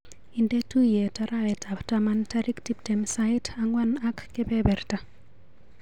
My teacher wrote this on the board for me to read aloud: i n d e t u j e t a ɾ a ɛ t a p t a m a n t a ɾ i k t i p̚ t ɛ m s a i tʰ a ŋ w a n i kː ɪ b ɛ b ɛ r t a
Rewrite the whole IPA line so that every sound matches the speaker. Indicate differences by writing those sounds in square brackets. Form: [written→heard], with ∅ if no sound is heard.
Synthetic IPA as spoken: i n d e t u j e t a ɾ a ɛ t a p t a m a n t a ɾ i k t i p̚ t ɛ m s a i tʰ a ŋ w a n [i→a] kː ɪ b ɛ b ɛ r t a